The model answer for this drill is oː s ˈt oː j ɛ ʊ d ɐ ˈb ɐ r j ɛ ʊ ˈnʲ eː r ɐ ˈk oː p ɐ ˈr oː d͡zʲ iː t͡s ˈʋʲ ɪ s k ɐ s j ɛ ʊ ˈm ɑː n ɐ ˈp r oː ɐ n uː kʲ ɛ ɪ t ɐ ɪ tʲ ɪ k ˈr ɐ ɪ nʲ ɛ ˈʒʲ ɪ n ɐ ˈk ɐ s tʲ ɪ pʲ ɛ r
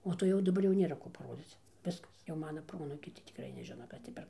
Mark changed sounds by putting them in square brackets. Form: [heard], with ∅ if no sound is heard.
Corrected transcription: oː [∅] ˈt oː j ɛ ʊ d ɐ ˈb ɐ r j ɛ ʊ ˈnʲ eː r ɐ ˈk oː p ɐ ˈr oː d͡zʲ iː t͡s ˈʋʲ ɪ s k ɐ s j ɛ ʊ ˈm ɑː n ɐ ˈp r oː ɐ n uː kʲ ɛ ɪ t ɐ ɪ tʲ ɪ k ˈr ɐ ɪ nʲ ɛ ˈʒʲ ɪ n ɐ ˈk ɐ s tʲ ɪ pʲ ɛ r